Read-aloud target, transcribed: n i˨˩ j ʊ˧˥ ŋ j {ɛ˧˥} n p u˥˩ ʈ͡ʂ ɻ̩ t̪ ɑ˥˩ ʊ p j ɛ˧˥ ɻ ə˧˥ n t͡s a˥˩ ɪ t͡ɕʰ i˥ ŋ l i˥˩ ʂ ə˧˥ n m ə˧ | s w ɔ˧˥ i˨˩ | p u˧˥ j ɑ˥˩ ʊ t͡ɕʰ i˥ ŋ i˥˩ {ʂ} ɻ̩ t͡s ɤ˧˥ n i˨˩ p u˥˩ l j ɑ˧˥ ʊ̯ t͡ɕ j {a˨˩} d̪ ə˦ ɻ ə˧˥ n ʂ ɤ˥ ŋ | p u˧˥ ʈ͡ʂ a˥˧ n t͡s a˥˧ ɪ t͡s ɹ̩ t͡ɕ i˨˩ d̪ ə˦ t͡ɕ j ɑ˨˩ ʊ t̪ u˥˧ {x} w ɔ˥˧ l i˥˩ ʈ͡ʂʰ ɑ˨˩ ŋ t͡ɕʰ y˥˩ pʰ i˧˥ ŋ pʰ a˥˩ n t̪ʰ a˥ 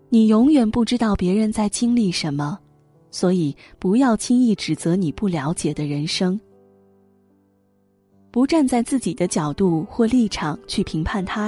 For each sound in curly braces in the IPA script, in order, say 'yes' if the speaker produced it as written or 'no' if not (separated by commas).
no, no, no, yes